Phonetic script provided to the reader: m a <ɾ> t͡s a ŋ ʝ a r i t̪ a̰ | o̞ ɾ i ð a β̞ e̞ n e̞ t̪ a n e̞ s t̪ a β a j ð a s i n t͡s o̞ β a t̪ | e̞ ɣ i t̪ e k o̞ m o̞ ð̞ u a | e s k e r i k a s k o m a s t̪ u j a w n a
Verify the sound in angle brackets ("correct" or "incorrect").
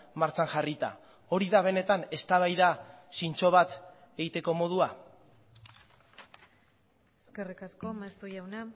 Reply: correct